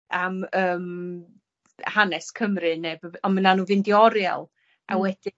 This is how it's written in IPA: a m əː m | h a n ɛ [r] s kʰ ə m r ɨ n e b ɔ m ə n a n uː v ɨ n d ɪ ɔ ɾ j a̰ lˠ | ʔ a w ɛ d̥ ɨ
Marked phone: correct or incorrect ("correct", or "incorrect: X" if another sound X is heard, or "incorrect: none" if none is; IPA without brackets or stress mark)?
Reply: incorrect: none